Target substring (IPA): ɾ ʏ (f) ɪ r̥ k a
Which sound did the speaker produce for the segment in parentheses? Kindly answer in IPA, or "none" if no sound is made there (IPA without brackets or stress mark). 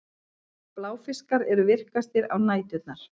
v